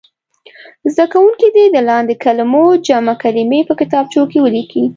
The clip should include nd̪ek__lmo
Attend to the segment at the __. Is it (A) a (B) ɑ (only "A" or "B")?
A